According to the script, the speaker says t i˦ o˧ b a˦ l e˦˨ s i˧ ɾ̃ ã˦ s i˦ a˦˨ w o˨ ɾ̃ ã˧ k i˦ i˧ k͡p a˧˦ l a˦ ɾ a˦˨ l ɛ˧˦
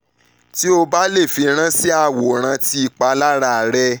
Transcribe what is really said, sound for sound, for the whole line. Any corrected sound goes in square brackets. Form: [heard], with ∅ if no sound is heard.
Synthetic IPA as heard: t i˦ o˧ b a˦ l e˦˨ [f] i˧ ɾ̃ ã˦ s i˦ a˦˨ w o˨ ɾ̃ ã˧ [t] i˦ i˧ k͡p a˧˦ l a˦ ɾ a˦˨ [ɾ] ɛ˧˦